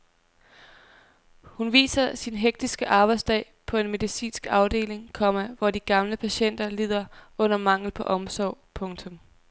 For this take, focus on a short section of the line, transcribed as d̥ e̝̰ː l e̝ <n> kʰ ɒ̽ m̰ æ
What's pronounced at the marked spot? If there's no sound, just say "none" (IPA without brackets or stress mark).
ŋ